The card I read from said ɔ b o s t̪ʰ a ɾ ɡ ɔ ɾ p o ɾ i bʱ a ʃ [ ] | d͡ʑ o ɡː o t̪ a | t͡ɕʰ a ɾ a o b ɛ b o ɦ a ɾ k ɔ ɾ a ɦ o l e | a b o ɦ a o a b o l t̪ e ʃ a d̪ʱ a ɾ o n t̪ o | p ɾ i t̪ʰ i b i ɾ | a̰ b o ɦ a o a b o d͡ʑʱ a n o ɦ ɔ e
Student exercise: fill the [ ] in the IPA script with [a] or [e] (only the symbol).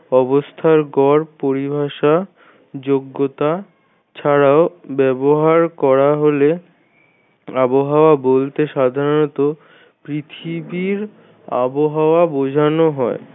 a